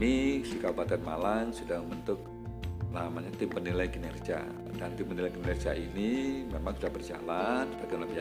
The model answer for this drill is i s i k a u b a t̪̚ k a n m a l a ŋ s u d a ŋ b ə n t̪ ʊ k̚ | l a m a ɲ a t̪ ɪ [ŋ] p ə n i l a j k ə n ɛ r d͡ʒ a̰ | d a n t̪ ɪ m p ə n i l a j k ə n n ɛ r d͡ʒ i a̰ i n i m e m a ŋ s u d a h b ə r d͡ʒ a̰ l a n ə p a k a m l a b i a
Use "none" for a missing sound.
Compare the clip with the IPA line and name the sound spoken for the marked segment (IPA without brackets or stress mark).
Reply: m